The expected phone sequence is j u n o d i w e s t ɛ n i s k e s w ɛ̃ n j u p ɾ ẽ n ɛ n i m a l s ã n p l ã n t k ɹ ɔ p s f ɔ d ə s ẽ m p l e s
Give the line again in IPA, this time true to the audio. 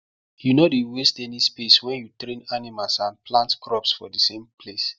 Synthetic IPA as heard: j u n o d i w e s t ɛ n i s p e s w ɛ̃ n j u t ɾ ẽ n a n i m a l s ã n p l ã n t k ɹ ɔ p s f ɔ d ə s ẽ m p l e s